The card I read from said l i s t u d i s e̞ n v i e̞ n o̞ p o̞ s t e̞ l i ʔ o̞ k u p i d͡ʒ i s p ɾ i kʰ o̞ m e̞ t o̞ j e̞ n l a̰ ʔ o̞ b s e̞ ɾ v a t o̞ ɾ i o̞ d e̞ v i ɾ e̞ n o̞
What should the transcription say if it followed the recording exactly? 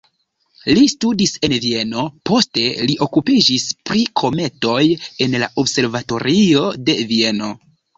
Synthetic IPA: l i s t u d i s e̞ n v i e̞ n o̞ p o̞ s t e̞ l i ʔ o̞ k u p i d͡ʒ i s p ɾ i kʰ o̞ m e̞ t o̞ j e̞ n l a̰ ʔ o̞ b s e̞ ɾ v a t o̞ ɾ i o̞ d e̞ v i e̞ n o̞

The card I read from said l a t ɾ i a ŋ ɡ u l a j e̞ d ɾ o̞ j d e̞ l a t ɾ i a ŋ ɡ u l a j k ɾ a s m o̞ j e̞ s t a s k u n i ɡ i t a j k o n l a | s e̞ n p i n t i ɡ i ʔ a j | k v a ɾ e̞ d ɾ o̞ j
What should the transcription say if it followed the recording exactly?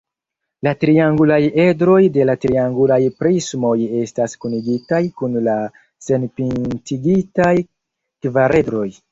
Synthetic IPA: l a t ɾ i a ŋ ɡ u l a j e̞ d ɾ o̞ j d e̞ l a t ɾ i a ŋ ɡ u l a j p ɾ i s m o̞ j e̞ s t a s k u n i ɡ i t a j k u n l a | s e̞ n p i n t i ɡ i t a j | k v a ɾ e̞ d ɾ o̞ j

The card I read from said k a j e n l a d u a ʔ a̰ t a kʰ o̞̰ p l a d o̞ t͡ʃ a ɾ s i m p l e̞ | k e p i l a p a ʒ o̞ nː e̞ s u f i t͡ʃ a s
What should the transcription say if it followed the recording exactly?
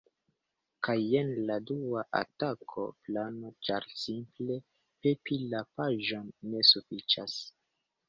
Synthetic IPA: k a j e n l a d u a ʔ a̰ t a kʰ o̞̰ p l a n o̞ t͡ʃ a ɾ s i m p l e̞ | p e p i l a p a ʒ o̞ nː e̞ s u f i t͡ʃ a s

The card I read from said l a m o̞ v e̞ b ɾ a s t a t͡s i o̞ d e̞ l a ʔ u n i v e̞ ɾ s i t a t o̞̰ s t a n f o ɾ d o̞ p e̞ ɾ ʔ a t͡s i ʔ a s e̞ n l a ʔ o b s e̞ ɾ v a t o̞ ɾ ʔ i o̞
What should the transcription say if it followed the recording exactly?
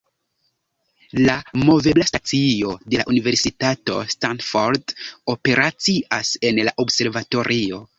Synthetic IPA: l a m o̞ v e̞ b l a s t a t͡s i o̞ d e̞ l a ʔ u n i v e̞ ɾ s i t a t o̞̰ s t a n f o ɾ d o̞ p e̞ ɾ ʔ a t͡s i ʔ a s e̞ n l a ʔ o b s e̞ ɾ v a t o̞ ɾ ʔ i o̞

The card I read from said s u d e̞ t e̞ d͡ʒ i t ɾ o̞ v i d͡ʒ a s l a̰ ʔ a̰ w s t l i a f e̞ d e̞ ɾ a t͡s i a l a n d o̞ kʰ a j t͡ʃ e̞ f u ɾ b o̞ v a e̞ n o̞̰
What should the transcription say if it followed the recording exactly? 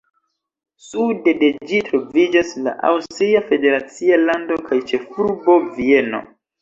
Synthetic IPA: s u d e̞ d e̞ d͡ʒ i t ɾ o̞ v i d͡ʒ a s l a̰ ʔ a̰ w s t ɾ i a f e̞ d e̞ ɾ a t͡s i a l a n d o̞ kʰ a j t͡ʃ e̞ f u ɾ b o̞ v i e̞ n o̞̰

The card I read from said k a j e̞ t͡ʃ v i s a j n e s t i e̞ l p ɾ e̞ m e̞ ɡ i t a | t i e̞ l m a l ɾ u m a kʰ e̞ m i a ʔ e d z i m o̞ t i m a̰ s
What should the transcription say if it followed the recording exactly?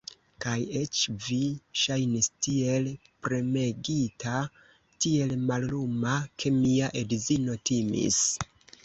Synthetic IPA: k a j e̞ t͡ʃ v i ʃ a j n i s t i e̞ l p ɾ e̞ m e̞ ɡ i t a | t i e̞ l m a l l u m a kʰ e̞ m i a ʔ e d z i n o̞ t i m ḭ s

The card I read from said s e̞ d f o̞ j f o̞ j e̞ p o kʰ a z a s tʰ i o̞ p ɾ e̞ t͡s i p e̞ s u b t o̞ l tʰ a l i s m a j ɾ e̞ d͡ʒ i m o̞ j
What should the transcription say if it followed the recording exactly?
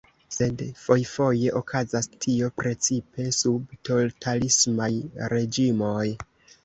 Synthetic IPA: s e̞ d f o̞ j f o̞ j e̞ ʔ o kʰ a z a s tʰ i o̞ p ɾ e̞ t͡s i p e̞ s u b t o̞ l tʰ a l i s m a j ɾ e̞ d͡ʒ i m o̞ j

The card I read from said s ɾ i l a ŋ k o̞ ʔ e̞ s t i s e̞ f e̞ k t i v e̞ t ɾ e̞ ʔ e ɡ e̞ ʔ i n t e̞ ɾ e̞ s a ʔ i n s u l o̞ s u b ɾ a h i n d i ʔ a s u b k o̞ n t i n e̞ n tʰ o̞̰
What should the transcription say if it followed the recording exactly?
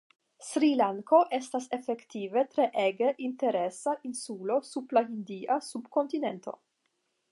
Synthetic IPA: s ɾ i l a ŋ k o̞ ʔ e̞ s t a s e̞ f e̞ k t i v e̞ t ɾ e̞ ʔ e ɡ e̞ ʔ i n t e̞ ɾ e̞ s a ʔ i n s u l o̞ s u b l a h i n d i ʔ a s u b k o̞ n t i n e̞ n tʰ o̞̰

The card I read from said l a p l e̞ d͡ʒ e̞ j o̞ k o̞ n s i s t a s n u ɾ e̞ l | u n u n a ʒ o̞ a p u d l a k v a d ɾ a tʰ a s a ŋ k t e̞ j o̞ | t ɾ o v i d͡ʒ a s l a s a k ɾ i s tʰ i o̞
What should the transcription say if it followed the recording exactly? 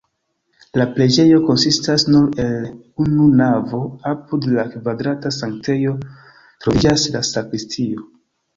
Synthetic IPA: l a p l e̞ d͡ʒ e̞ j o̞ k o̞ n s i s t a s n u ɾ e̞ l | u n u n a v o̞ a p u d l a k v a d ɾ a t a s a ŋ k t e̞ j o̞ | t ɾ o v i d͡ʒ a s l a s a k ɾ i s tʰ i o̞

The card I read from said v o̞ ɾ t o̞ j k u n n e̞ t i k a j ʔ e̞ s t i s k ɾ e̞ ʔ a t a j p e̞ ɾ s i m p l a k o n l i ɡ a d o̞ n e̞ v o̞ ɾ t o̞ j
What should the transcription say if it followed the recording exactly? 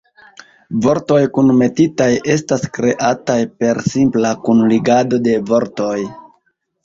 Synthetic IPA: v o̞ ɾ t o̞ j k u n m e̞ t i t a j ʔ e̞ s t a s k ɾ e̞ ʔ a t a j p e̞ ɾ s i m p l a k u n l i ɡ a d o̞ d e̞ v o̞ ɾ t o̞ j

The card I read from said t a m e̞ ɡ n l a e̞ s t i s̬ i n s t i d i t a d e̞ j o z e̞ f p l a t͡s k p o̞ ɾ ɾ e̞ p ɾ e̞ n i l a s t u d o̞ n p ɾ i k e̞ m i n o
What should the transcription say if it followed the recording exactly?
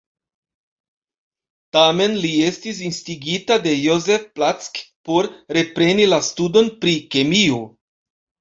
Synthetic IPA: t a m e̞ n l i e̞ s t i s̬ i n s t i ɡ i t a d e̞ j o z e̞ f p l a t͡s k p o̞ ɾ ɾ e̞ p ɾ e̞ n i l a s t u d o̞ n p ɾ i k e̞ m i o

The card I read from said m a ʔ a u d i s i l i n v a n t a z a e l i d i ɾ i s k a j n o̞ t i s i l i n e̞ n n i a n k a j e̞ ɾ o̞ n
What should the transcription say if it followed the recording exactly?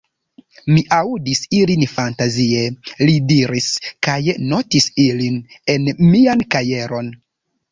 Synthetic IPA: m i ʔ a u d i s i l i n f a n t a z i e l i d i ɾ i s k a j n o̞ t i s i l i n e̞ n m i a n k a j e̞ ɾ o̞ n

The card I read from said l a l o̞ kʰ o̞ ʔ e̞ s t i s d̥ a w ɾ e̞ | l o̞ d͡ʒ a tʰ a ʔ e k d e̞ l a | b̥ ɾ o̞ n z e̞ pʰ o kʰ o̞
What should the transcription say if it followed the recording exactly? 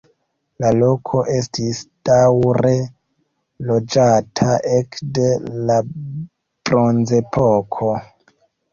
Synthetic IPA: l a l o̞ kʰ o̞ ʔ e̞ s t i s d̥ a w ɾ e̞ | l o̞ d͡ʒ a tʰ a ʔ e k d e̞ l a | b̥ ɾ o̞ n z e̞ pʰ o kʰ o̞

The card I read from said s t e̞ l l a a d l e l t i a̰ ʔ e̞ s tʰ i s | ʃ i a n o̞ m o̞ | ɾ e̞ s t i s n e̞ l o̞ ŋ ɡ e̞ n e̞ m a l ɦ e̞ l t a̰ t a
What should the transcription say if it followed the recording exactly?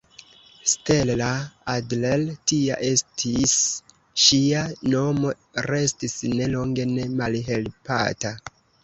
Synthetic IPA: s t e̞ l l a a d l e l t i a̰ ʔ e̞ s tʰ i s | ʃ i a n o̞ m o̞ | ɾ e̞ s t i s n e̞ l o̞ ŋ ɡ e̞ n e̞ m a l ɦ e̞ l p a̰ t a

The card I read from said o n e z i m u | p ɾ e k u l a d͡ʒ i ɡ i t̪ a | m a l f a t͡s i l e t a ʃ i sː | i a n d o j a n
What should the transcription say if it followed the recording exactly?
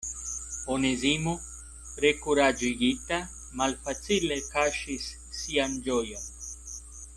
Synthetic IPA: o n e z i m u | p ɾ e k u ɾ a d͡ʒ i ɡ i t̪ a | m a l f a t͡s i l e k a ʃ i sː | i a n d͡ʒ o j a n

